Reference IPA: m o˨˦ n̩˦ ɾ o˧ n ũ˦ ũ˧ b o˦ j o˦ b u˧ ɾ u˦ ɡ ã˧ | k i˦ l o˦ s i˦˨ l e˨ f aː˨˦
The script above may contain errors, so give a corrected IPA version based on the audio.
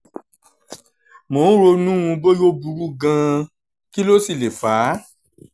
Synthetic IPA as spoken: m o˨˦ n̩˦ ɾ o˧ n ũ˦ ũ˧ b o˦ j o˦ b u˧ ɾ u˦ ɡ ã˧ | k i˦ l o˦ s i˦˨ l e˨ f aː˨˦